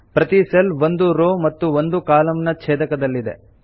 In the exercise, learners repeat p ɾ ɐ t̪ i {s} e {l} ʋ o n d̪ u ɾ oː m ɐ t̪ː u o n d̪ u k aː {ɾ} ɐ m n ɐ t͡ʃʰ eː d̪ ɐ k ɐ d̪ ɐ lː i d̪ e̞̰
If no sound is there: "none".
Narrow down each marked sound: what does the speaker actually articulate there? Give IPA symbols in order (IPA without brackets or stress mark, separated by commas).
s, l, l